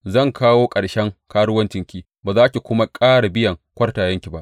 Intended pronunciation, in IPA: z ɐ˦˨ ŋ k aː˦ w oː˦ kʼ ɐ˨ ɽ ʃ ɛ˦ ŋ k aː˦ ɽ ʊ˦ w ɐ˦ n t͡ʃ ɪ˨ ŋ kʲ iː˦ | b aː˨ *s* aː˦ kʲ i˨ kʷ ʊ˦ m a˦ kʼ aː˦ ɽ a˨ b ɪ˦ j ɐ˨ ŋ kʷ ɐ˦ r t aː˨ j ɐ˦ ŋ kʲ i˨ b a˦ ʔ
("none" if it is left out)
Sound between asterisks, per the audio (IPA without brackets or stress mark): z